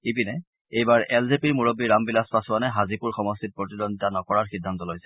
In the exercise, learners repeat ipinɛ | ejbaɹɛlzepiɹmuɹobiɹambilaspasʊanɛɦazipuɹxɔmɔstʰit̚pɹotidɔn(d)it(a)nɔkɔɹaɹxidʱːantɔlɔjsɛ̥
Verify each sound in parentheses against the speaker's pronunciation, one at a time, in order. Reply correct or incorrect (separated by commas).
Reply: correct, correct